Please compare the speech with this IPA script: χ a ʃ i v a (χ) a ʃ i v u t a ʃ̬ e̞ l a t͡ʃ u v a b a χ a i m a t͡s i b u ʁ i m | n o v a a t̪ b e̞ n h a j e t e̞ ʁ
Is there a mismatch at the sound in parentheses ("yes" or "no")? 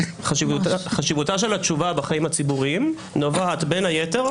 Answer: no